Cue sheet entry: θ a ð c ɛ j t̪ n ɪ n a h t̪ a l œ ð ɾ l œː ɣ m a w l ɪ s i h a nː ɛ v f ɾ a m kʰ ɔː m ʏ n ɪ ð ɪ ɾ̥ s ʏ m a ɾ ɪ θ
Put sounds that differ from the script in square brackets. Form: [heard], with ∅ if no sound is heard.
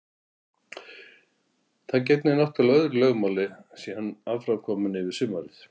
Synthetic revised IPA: θ a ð c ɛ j t̪ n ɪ n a h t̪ a l œ ð ɾ l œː ɣ m a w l ɪ s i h a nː [a] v f ɾ a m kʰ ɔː m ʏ n ɪ [v] ɪ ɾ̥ s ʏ m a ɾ ɪ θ